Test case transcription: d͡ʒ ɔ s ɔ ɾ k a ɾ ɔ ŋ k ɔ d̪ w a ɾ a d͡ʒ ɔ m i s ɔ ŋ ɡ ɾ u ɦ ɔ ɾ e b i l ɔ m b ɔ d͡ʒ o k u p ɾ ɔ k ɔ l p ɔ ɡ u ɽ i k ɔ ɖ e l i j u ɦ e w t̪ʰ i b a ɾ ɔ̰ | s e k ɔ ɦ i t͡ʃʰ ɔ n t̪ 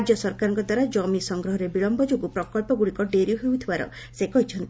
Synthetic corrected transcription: d͡ʒ ɔ s ɔ ɾ k a ɾ ɔ ŋ k ɔ d̪ w a ɾ a d͡ʒ ɔ m i s ɔ ŋ ɡ ɾ ɔ ɦ ɔ ɾ e b i ɭ ɔ m b ɔ d͡ʒ o ɡ u p ɾ ɔ k ɔ l p ɔ ɡ u ɽ i k ɔ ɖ e ɾ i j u ɦ e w t̪ʰ i b a ɾ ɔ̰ | s e k ɔ ɦ i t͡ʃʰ ɔ n t̪